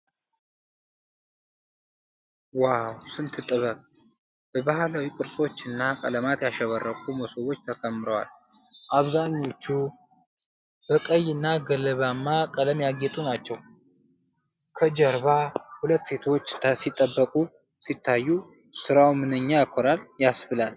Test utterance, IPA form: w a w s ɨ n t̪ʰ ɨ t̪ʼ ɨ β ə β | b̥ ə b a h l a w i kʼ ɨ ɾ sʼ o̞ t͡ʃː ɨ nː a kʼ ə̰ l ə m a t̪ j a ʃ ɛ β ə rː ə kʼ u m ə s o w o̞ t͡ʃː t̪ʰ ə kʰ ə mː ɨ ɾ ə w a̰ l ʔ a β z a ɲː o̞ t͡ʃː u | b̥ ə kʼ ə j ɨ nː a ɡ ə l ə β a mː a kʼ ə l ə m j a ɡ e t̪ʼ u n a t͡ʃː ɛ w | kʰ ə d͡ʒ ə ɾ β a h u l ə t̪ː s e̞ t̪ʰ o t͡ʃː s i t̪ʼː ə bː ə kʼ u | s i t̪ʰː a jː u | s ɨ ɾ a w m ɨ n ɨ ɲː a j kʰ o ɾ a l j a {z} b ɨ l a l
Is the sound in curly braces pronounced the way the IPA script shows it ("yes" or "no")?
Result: no